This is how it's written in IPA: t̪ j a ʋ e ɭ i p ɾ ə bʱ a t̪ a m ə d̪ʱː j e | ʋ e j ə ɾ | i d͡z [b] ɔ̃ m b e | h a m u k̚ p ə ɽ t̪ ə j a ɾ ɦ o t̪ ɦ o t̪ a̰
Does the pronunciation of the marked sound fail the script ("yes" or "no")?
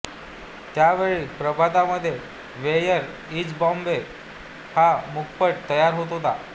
no